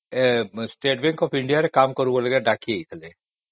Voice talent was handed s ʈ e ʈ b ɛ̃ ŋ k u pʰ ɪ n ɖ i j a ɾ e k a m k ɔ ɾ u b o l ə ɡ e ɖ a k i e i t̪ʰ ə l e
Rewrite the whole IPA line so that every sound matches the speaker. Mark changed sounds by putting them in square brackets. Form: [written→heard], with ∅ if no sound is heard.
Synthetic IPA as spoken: s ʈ e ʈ b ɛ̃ ŋ k [u→ɔ] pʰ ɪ [n→ɳ] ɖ i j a ɾ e k a m k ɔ ɾ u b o l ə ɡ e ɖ a k i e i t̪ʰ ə l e